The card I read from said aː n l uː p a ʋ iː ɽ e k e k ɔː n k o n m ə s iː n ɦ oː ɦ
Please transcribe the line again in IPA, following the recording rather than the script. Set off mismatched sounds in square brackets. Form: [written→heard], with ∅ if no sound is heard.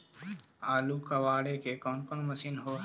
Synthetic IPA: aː [n→∅] l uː [p→k] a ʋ [iː→aː] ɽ e k e k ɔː n k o n m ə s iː n ɦ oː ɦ